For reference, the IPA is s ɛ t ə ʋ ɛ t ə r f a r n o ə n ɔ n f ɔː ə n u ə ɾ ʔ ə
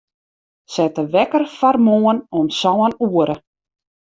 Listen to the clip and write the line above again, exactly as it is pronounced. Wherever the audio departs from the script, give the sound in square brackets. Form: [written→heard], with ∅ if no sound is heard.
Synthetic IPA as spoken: s ɛ t ə ʋ ɛ [t→k] ə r f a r [n→m] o ə n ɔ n [f→s] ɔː ə n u ə ɾ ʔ ə